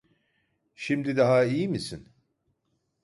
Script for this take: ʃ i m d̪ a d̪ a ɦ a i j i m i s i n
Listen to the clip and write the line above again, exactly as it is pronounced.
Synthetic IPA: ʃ i m d̪ i d̪ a ɦ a i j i m i s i n